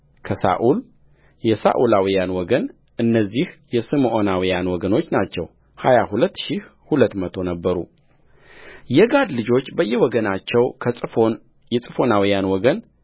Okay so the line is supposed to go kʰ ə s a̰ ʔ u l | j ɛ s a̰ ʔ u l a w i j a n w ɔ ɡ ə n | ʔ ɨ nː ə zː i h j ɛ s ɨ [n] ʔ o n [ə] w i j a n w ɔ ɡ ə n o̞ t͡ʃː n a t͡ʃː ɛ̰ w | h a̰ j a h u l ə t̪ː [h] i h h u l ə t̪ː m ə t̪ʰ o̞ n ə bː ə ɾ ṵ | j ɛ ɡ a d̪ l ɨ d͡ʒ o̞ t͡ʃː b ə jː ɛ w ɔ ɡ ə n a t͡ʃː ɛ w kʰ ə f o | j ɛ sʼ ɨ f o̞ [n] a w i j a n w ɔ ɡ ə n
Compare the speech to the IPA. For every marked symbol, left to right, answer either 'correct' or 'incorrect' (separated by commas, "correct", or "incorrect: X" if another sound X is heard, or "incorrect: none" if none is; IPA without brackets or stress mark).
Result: incorrect: m, incorrect: a, incorrect: ʃ, correct